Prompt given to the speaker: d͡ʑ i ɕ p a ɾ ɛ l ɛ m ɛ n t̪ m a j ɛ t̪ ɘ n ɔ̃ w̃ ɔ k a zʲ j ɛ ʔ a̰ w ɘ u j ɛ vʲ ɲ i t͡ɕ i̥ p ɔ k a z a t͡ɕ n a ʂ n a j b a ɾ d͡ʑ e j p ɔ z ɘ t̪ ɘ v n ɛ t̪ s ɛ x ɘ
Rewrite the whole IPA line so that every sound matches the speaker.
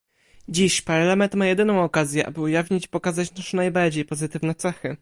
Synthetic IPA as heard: d͡ʑ i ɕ p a ɾ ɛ l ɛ m ɛ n t̪ m a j ɛ d̪ ɘ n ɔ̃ w̃ ɔ k a zʲ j ɛ ʔ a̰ b ɘ u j a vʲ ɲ i t͡ɕ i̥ p ɔ k a z a t͡ɕ n a ʂ n a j b a ɾ d͡ʑ e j p ɔ z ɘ t̪ ɘ v n ɛ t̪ s ɛ x ɘ

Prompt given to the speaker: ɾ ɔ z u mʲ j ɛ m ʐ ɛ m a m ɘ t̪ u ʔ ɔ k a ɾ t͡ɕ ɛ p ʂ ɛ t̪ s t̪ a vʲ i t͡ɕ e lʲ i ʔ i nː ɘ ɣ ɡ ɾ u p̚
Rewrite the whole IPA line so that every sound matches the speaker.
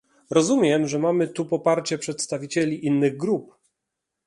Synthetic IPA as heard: ɾ ɔ z u mʲ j ɛ m ʐ ɛ m a m ɘ t̪ u p ɔ p a ɾ t͡ɕ ɛ p ʂ ɛ t̪ s t̪ a vʲ i t͡ɕ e lʲ i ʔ i nː ɘ ɣ ɡ ɾ u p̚

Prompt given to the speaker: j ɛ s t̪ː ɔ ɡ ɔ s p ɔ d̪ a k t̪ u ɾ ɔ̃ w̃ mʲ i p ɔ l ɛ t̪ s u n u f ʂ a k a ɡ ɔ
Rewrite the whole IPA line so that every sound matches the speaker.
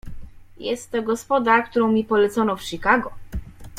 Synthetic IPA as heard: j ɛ s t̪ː ɔ ɡ ɔ s p ɔ d̪ a k t̪ u ɾ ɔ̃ w̃ mʲ i p ɔ l ɛ t̪ s ɔ n ɔ f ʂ i k a ɡ ɔ

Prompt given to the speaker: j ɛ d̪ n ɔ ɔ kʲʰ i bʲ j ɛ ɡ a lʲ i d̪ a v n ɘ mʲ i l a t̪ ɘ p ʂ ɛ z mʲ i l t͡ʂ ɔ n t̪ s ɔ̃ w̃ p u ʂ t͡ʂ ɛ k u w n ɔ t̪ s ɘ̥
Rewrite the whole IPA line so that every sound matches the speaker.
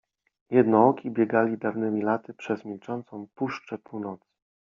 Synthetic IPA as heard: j ɛ d̪ n ɔ ɔ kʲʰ i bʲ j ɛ ɡ a lʲ i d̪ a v n ɘ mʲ i l a t̪ ɘ p ʂ ɛ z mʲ i l t͡ʂ ɔ n t̪ s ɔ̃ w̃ p u ʂ t͡ʂ ɛ p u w n ɔ t̪ s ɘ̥

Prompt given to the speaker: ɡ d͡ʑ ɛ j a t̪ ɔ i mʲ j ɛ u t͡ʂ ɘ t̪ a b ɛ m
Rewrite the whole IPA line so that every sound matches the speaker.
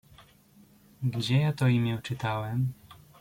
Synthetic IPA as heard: ɡ d͡ʑ ɛ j a t̪ ɔ i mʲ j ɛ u t͡ʂ ɘ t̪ a w ɛ m

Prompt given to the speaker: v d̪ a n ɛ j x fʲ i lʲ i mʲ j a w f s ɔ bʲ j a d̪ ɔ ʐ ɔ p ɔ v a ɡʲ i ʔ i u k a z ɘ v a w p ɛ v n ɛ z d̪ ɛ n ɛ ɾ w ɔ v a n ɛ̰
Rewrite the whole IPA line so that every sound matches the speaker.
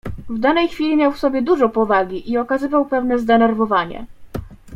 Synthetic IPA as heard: v d̪ a n ɛ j x fʲ i lʲ i mʲ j a w f s ɔ bʲ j ɛ d̪ u ʐ ɔ p ɔ v a ɡʲ i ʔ i ɔ k a z ɘ v a w p ɛ v n ɛ z d̪ ɛ n ɛ ɾ v ɔ v a ɲ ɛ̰

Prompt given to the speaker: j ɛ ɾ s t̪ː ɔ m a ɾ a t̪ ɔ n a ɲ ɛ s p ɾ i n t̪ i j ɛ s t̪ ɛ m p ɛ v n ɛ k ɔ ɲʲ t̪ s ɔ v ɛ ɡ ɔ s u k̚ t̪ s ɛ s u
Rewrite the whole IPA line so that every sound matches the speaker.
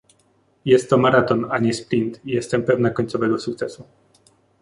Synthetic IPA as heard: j ɛ s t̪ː ɔ m a ɾ a t̪ ɔ n a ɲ ɛ s p ɾ i n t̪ i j ɛ s t̪ ɛ m p ɛ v n a k ɔ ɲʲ t̪ s ɔ v ɛ ɡ ɔ s u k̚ t̪ s ɛ s u

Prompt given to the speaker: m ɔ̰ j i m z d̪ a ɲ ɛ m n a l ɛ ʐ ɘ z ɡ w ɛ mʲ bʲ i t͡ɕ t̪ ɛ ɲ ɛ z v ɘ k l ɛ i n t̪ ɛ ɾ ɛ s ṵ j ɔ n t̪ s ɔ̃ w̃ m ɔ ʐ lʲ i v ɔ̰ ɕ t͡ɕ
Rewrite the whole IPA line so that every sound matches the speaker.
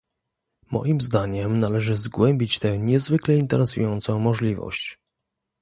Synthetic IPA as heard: m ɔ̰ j i m z d̪ a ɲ ɛ m n a l ɛ ʐ ɘ z ɡ w ɛ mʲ bʲ i t͡ɕ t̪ ɛ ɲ ɛ z v ɘ k l ɛ i n t̪ ɛ ɾ ɛ s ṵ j ɔ n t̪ s ɔ̃ w̃ m ɔ ʐ lʲ i v ɔ̰ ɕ t͡ɕ

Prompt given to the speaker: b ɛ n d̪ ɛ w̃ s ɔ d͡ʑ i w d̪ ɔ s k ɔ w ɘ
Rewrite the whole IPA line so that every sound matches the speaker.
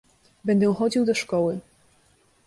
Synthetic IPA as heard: b ɛ n d̪ ɛ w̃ x ɔ d͡ʑ i w d̪ ɔ ʂ k ɔ w ɘ

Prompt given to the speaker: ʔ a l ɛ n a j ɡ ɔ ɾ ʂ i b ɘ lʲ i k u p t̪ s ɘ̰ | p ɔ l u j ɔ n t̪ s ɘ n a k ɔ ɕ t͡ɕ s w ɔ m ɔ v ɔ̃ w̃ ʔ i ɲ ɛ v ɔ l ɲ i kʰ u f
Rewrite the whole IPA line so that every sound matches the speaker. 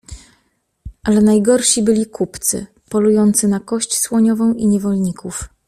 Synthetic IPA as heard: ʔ a l ɛ n a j ɡ ɔ ɾ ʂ i b ɘ lʲ i k u p t̪ s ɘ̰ | p ɔ l u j ɔ n t̪ s ɘ n a k ɔ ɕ t͡ɕ s w ɔ ɲ ɔ v ɔ̃ w̃ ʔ i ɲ ɛ v ɔ l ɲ i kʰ u f

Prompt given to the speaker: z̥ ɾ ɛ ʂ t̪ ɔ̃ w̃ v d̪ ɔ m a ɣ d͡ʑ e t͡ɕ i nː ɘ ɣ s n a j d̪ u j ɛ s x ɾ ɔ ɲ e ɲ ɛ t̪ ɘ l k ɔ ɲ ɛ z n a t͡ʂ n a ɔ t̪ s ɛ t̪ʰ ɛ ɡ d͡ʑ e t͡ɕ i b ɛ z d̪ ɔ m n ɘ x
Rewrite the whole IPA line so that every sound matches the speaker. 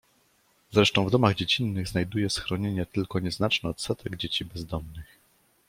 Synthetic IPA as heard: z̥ ɾ ɛ ʂ t̪ ɔ̃ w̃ v d̪ ɔ m a ɣ d͡ʑ e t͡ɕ i nː ɘ ɣ z n a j d̪ u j ɛ s x ɾ ɔ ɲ e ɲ ɛ t̪ ɘ l k ɔ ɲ ɛ z n a t͡ʂ n ɛ ɔ t̪ s ɛ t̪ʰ ɛ ɡ d͡ʑ e t͡ɕ i b ɛ z d̪ ɔ m n ɘ x

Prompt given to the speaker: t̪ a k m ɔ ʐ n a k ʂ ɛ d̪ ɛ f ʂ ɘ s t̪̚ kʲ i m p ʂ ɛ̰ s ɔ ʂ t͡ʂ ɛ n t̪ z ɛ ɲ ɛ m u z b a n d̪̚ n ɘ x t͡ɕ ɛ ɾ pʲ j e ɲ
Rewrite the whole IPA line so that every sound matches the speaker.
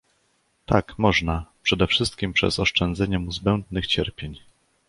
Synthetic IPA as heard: t̪ a k m ɔ ʐ n a p ʂ ɛ d̪ ɛ f ʂ ɘ s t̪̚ kʲ i m p ʂ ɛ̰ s ɔ ʂ t͡ʂ ɛ n d̪ z ɛ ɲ ɛ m u z b ɛ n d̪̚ n ɘ x t͡ɕ ɛ ɾ pʲ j e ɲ

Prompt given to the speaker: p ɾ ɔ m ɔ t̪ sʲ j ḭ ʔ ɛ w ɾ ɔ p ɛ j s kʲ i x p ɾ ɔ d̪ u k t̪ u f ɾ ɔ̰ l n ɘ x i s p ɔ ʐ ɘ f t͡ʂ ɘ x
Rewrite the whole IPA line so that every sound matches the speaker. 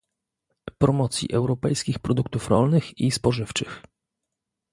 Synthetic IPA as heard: p ɾ ɔ m ɔ t̪ sʲ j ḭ ʔ ɛ w ɾ ɔ p ɛ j s kʲ i x p ɾ ɔ d̪ u k t̪ u f ɾ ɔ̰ l n ɘ x i s p ɔ ʐ ɘ f t͡ʂ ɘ x

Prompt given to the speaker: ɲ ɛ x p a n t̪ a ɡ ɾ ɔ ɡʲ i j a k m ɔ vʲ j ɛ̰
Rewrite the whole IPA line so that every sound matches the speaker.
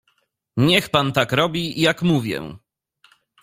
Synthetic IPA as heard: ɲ ɛ x p a n t̪ a k ɾ ɔ bʲ i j a k m u vʲ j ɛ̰

